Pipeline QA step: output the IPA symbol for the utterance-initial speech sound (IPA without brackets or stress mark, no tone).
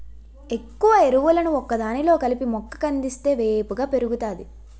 e̞